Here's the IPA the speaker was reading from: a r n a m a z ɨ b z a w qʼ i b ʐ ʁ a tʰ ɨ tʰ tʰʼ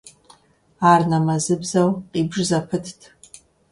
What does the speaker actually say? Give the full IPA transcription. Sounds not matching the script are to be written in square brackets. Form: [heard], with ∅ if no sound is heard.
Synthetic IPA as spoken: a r n a m a z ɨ b z a w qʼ i b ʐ [z] a [pʰ] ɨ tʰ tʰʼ